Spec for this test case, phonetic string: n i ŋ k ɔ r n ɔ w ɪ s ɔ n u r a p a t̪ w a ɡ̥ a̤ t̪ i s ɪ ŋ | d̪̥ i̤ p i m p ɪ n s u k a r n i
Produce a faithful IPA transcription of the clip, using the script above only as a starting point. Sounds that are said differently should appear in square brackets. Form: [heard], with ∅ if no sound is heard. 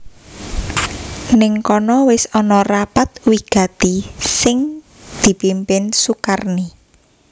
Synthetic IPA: n [ɪ] ŋ k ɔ [∅] n ɔ w ɪ s ɔ n [ɔ] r a p a t̪ w [i] ɡ̥ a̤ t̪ i s ɪ ŋ | d̪̥ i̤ p i m p ɪ n s u k a r n i